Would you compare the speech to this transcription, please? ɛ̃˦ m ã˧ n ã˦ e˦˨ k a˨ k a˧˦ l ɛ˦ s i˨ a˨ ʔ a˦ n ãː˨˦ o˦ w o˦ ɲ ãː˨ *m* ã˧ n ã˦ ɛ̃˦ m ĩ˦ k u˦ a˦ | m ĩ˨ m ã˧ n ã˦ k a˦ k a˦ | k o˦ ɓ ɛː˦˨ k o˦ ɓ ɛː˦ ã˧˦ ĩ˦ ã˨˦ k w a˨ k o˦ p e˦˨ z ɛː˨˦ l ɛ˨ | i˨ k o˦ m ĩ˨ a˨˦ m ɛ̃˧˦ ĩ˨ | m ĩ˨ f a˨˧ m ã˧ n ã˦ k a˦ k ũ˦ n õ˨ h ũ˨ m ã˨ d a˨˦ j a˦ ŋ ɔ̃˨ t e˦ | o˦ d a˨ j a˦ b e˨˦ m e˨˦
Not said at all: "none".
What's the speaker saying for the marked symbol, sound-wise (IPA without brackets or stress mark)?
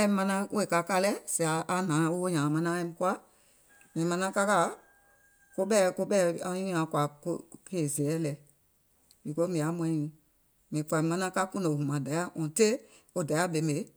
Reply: m